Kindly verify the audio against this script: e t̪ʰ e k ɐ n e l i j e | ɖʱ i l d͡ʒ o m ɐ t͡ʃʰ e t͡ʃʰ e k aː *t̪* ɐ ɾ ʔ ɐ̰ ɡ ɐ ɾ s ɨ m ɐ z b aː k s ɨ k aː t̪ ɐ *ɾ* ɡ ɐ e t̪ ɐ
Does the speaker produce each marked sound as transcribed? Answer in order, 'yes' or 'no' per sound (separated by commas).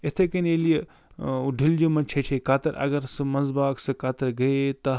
yes, yes